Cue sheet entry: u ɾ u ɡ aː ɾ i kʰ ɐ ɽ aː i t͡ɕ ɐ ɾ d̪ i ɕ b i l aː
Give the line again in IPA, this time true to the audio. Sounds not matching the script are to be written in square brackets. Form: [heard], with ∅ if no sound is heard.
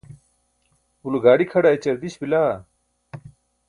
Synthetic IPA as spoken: u [l] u ɡ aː [ɽ] i kʰ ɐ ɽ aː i t͡ɕ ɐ ɾ d̪ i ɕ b i l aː